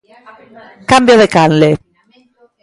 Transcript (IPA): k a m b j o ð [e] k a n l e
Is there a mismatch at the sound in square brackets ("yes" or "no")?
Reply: no